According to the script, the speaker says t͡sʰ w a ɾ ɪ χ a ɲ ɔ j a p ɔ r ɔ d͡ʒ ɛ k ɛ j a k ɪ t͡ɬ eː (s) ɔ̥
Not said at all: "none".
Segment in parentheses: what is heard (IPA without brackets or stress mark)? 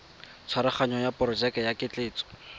t͡s